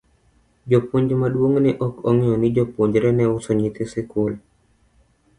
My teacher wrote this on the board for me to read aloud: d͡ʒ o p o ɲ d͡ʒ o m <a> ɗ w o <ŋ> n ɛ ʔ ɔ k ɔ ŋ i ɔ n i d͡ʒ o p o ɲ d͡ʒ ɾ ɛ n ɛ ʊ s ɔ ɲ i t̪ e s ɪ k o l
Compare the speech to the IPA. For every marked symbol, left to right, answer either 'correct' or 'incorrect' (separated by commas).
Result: correct, correct